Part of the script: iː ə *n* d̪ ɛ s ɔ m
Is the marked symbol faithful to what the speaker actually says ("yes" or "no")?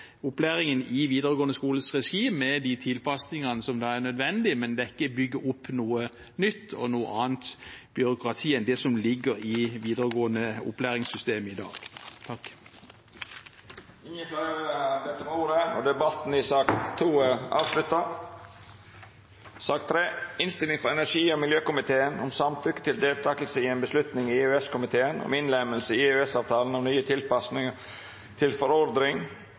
yes